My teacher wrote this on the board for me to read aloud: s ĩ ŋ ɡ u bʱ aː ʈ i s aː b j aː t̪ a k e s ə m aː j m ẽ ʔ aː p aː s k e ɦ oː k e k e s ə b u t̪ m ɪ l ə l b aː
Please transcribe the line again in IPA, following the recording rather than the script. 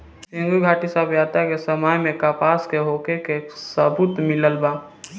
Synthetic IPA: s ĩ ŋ ɡ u ɡʱ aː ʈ i s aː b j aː t̪ a k e s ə m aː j m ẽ k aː p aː s k e ɦ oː k e k e s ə b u t̪ m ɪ l ə l b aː